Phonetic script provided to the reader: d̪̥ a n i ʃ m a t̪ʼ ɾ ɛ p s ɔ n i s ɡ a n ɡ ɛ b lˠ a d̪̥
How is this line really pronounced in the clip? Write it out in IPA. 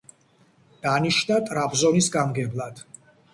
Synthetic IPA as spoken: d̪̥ a n i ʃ n a t̪ʼ ɾ a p z ɔ n i s ɡ a m ɡ ɛ b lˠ a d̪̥